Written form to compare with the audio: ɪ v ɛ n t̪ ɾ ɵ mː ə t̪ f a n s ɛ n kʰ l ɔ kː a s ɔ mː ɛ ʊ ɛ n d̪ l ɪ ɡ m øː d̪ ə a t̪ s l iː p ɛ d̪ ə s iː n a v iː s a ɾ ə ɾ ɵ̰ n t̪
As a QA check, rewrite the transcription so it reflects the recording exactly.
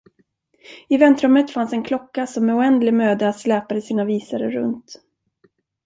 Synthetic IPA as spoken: ɪ v ɛ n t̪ ɾ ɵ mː ə t̪ f a n s ɛ n kʰ l ɔ kː a s ɔ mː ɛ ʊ ɛ n d̪ l ɪ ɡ m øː d̪ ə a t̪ s l ɛː p a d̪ ə s iː n a v iː s a ɾ ə ɾ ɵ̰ n t̪

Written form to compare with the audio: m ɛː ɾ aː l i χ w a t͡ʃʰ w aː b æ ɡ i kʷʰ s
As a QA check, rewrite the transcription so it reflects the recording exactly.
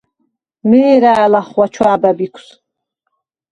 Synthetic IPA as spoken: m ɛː ɾ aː l a χ w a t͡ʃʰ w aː b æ b i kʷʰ s

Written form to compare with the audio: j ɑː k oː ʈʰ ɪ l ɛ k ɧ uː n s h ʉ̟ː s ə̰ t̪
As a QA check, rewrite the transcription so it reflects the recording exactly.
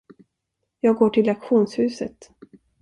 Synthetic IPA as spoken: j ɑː ɡ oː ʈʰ ɪ l a k ɧ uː n s h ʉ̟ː s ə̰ t̪

